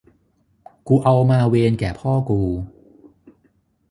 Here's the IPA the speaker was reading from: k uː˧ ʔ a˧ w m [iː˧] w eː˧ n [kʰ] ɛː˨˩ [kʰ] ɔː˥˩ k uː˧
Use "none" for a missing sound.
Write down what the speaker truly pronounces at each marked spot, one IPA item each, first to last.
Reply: aː˧, k, pʰ

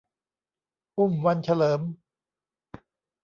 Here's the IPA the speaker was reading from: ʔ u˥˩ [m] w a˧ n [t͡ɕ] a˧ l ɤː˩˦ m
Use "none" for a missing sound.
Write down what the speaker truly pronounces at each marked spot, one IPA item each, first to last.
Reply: m, t͡ɕʰ

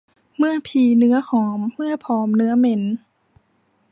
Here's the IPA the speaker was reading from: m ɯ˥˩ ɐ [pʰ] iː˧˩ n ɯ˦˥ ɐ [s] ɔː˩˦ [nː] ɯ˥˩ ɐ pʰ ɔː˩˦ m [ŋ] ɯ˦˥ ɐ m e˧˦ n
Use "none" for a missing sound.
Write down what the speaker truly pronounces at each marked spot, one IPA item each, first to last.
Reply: pʰ, h, mː, n

